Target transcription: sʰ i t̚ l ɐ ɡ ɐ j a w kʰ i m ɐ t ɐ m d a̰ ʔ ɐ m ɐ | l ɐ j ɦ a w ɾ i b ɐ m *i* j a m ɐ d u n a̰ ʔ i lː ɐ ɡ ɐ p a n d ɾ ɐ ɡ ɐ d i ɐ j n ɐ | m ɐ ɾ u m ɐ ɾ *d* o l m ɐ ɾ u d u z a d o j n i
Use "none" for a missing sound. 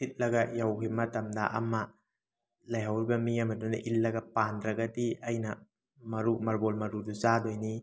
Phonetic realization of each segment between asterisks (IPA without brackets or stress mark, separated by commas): i, b